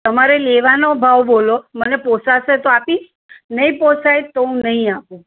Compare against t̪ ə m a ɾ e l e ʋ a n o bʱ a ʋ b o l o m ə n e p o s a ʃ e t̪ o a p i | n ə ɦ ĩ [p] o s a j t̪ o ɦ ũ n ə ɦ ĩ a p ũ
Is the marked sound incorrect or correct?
correct